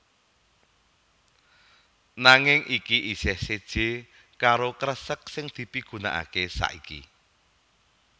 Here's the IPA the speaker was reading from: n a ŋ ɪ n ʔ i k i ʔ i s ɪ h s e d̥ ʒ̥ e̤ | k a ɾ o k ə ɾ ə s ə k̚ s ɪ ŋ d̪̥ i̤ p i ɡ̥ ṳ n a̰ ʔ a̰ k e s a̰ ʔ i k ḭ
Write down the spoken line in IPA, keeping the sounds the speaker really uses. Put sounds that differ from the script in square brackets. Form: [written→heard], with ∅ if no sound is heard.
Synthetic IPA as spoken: n a ŋ ɪ [n→ŋ] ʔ i k i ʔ i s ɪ h s e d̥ ʒ̥ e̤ | k a ɾ o k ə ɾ ə s ə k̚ s ɪ ŋ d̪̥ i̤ p i ɡ̥ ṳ n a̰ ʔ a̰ k e s a̰ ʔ i k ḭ